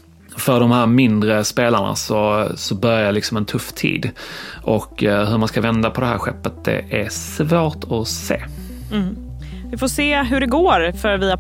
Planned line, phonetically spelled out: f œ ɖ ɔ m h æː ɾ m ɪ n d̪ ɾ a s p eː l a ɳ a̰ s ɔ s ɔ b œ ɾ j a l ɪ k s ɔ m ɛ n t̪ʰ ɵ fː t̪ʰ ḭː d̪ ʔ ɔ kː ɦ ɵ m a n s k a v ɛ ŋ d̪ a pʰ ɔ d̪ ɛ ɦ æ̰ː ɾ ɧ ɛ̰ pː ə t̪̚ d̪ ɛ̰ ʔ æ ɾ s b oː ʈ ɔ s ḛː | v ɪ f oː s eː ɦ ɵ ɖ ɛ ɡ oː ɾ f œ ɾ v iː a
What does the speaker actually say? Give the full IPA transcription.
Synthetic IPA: f œ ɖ ɔ m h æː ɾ m ɪ n d̪ ɾ ə s p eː l a ɳ a̰ s ɔ s ɔ b œ ɾ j a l ɪ k s ɔ m ɛ n t̪ʰ ɵ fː t̪ʰ ḭː d̪ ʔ ɔ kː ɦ ɵ m a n s k a v ɛ n d̪ a pʰ ɔ d̪ ɛ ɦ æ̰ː ɾ ɧ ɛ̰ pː ə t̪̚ d̪ ɛ̰ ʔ æ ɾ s v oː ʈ ɔ s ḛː | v ɪ f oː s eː ɦ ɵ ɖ ɛ ɡ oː ɾ f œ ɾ v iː a